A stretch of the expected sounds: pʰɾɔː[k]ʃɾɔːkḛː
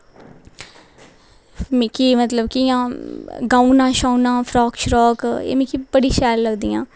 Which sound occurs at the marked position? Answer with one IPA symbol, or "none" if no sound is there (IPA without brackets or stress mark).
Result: k